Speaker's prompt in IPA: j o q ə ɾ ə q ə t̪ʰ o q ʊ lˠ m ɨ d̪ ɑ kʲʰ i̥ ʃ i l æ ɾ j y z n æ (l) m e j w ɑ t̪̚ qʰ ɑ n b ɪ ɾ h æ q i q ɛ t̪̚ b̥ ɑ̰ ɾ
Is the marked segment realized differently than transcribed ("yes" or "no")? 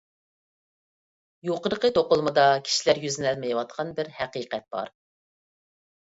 no